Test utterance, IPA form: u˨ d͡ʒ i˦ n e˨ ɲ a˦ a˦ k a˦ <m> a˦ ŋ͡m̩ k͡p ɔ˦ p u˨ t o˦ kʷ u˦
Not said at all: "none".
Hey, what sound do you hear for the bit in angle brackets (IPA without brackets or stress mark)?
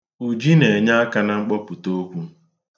n